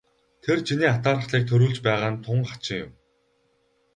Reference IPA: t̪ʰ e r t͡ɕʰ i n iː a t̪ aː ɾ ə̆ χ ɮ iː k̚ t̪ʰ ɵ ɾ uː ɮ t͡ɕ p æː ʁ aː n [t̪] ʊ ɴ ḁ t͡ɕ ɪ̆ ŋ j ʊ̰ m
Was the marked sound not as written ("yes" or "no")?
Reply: yes